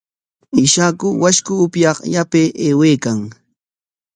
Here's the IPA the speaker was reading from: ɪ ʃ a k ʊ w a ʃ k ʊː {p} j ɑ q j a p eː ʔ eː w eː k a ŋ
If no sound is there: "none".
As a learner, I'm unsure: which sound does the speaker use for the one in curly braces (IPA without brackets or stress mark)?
p